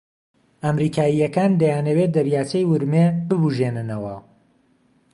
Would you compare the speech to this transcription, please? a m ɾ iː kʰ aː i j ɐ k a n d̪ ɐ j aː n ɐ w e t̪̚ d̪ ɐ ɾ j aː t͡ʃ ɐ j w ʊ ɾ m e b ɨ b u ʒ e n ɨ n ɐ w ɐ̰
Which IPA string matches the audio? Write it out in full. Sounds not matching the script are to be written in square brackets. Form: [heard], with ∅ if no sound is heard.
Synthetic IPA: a m ɾ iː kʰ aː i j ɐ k a n d̪ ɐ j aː n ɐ w e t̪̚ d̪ ɐ ɾ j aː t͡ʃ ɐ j w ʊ ɾ m e b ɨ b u ʒ e n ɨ n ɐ w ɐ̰